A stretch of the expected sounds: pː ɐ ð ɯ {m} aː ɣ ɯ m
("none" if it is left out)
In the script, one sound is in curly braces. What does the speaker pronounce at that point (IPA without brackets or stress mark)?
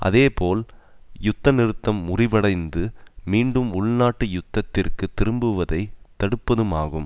m